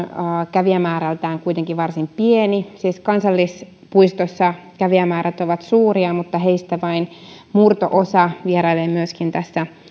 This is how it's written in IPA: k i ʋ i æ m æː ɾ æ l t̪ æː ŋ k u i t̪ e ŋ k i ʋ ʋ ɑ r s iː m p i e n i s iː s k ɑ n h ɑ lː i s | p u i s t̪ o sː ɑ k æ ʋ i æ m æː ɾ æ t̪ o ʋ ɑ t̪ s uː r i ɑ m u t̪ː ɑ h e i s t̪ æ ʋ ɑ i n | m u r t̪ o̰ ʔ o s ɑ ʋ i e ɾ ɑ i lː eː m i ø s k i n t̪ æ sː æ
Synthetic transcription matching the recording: k æ ʋ i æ m æː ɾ æ l t̪ æː ŋ k u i t̪ e ŋ k i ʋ ʋ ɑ r s i m p i e n i s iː s k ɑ n s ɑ lː i s | p u i s t̪ o sː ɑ k æ ʋ i æ m æː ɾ æ t̪ o ʋ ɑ t̪ s uː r i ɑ m u t̪ː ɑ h e i s t̪ æ ʋ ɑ i n | m u r t̪ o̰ ʔ o s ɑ ʋ i e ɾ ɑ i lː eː m y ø s k i n t̪ æ sː æ

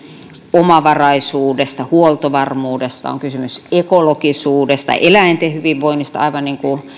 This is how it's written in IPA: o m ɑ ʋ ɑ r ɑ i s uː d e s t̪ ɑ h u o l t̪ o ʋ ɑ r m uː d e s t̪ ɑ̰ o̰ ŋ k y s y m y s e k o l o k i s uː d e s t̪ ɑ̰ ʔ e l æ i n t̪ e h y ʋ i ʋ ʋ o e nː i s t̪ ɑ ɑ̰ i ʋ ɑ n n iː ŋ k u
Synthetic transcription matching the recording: o m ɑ ʋ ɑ r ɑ i s uː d e s t̪ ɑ h u o l t̪ o ʋ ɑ r m uː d e s t̪ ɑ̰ o̰ ŋ k y s y m y s e k o l o k i s uː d e s t̪ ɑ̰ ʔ e l æ i n t̪ e h y ʋ i ʋ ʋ o i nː i s t̪ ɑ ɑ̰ i ʋ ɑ n n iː ŋ k u

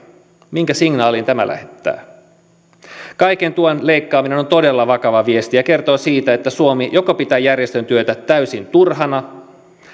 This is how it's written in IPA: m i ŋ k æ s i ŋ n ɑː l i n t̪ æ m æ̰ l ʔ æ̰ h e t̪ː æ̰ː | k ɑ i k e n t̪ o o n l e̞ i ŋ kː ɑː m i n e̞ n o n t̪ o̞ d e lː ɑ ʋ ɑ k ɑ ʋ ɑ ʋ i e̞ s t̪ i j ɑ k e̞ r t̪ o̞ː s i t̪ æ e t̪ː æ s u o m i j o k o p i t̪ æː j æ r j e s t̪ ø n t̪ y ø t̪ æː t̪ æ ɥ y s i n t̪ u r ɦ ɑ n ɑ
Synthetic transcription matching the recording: m i ŋ k æ s i ŋ n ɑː l i n t̪ æ m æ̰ l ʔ æ̰ h e t̪ː æ̰ː | k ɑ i k e n t̪ u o n l e̞ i kː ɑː m i n e̞ n o n t̪ o̞ d e lː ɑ ʋ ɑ k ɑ ʋ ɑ ʋ i e̞ s t̪ i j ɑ k e̞ r t̪ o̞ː s iː t̪ æ e t̪ː æ s u o m i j o k o p i t̪ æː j æ r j e s t̪ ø n t̪ y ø t̪ æ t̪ æ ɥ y s i n t̪ u r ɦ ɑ n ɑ

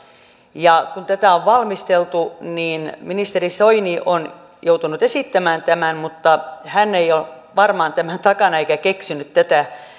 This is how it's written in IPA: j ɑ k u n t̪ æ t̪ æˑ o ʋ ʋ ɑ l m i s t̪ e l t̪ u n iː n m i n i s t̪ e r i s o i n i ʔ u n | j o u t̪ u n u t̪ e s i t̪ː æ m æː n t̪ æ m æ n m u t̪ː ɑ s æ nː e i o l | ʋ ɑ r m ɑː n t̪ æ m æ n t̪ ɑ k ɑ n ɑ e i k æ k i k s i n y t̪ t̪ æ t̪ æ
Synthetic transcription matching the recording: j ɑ k u n t̪ æ t̪ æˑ o ʋ ʋ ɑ l m i s t̪ e l t̪ u n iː n m i n i s t̪ e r i s o i n i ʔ o n | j o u t̪ u n u t̪ e s i t̪ː æ m æː n t̪ æ m æ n m u t̪ː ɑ h æ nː e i o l | ʋ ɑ r m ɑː n t̪ æ m æ n t̪ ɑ k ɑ n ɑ e i k æ k e k s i n y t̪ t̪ æ t̪ æ

